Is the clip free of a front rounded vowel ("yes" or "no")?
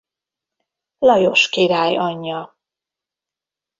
yes